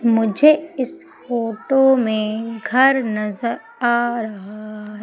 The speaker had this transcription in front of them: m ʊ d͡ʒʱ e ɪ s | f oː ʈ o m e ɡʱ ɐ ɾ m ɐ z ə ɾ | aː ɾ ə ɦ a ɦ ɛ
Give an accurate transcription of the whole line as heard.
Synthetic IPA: m ʊ d͡ʒʱ e ɪ s | f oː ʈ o m ẽ ɡʱ ɐ ɾ n ɐ z ə ɾ | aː ɾ ɐ ɦ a ɦ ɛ